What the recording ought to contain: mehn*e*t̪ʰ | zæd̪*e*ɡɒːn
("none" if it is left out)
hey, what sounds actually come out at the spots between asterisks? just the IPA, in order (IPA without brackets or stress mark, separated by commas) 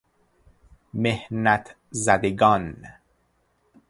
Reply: æ, e